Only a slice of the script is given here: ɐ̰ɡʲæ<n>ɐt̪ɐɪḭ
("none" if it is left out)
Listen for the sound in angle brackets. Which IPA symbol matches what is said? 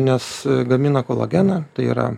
n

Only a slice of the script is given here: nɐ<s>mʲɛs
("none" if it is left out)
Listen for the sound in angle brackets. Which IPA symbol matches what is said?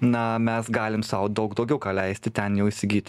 none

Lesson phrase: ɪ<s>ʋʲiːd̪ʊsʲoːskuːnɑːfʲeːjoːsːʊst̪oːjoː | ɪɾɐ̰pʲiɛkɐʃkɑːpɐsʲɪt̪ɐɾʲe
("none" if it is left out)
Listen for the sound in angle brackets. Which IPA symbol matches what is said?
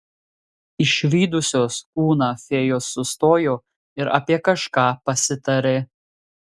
ʃ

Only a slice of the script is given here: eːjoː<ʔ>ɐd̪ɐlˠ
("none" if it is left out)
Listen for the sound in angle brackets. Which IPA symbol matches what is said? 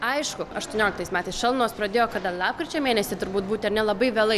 k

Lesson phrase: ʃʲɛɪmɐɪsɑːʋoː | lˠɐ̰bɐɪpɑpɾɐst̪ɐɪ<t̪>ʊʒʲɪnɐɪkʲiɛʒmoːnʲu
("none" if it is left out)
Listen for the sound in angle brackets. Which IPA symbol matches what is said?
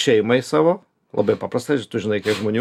t̪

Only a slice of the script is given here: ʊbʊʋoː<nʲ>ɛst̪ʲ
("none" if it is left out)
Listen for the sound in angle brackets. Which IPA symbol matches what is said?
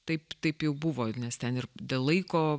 nʲ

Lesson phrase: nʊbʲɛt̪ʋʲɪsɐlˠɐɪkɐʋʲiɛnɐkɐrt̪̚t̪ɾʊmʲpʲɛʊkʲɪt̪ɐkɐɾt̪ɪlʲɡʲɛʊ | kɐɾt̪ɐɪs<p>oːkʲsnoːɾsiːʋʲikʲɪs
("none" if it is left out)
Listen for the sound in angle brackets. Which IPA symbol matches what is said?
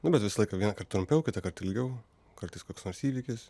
k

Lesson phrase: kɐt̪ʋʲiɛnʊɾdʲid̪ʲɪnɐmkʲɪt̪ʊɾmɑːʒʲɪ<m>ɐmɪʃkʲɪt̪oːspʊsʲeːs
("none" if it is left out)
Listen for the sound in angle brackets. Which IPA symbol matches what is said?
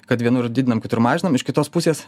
n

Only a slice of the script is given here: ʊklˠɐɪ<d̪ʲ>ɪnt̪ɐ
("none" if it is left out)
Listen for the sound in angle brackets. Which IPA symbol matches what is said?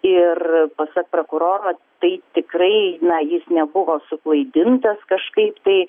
d̪ʲ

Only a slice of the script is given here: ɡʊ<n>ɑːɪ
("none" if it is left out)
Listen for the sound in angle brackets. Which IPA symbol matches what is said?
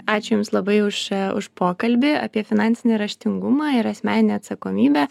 m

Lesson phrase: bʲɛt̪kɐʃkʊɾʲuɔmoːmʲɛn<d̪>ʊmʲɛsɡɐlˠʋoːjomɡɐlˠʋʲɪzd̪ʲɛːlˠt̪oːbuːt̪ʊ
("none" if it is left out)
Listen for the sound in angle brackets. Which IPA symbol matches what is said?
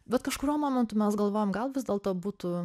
t̪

